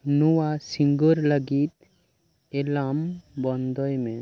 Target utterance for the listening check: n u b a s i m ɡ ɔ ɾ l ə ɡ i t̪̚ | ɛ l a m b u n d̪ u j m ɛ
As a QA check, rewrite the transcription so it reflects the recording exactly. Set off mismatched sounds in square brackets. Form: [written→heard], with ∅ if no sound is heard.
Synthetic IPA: n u [b→w] a s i [m→ŋ] ɡ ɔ ɾ l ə ɡ i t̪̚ | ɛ l a m b [u→ɔ] n d̪ [u→ɔ] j m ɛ